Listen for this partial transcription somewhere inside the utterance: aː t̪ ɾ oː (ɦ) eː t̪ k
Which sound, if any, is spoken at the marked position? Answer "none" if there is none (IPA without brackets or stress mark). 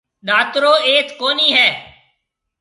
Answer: none